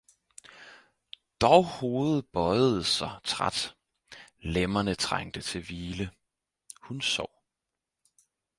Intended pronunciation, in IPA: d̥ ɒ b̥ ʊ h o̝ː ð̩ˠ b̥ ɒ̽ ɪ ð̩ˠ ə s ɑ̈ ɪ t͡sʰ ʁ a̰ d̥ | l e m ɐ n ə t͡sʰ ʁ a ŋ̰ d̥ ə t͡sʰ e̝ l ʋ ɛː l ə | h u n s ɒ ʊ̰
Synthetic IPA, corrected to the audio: d̥ ɒ ʊ h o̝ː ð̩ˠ b̥ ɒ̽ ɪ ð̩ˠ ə s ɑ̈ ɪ t͡sʰ ʁ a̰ d̥ | l e m ɐ n ə t͡sʰ ʁ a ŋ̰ d̥ ə t͡sʰ e̝ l ʋ iː l ə | h u n s ɒ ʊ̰